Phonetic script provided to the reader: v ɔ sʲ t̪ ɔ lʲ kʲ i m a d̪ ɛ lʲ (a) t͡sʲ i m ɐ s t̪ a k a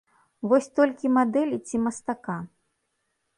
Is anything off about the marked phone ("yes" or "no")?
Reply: yes